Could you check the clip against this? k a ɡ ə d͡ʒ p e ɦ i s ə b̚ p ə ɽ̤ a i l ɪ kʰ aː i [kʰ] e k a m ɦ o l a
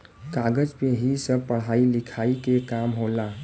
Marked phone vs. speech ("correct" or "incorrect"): incorrect